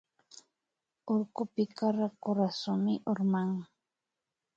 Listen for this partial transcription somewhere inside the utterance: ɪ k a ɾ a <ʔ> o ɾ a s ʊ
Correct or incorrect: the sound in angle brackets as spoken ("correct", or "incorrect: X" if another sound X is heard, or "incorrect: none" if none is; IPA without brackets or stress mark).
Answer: incorrect: k